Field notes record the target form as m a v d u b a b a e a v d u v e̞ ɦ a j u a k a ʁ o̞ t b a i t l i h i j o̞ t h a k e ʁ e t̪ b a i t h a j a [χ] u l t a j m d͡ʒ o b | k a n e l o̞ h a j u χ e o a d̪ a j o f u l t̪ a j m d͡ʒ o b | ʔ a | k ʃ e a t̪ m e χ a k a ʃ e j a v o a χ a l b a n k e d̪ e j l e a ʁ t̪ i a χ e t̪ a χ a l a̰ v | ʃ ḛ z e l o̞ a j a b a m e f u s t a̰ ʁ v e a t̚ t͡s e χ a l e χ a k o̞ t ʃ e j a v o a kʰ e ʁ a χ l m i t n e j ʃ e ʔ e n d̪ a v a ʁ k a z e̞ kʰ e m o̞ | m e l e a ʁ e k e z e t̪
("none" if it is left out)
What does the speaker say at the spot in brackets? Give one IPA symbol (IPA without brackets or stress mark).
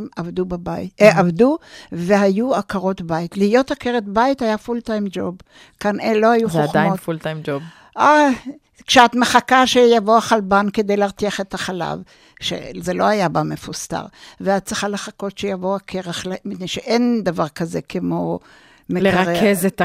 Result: f